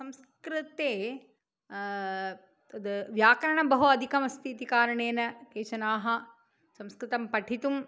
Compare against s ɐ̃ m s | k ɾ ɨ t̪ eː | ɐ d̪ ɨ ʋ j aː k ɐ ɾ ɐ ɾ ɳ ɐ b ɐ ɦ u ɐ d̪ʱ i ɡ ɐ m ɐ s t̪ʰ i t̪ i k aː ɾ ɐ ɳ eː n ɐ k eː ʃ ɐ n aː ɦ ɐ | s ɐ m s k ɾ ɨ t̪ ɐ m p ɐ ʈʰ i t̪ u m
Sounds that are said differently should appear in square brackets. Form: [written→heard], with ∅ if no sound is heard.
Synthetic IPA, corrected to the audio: s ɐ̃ m s | k ɾ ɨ t̪ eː | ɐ d̪ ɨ ʋ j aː k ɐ ɾ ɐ [ɾ→∅] ɳ ɐ b ɐ ɦ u ɐ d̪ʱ i [ɡ→k] ɐ m ɐ s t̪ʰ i t̪ i k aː ɾ ɐ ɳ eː n ɐ k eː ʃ ɐ n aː ɦ ɐ | s ɐ m s k ɾ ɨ t̪ ɐ m p ɐ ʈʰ i t̪ u m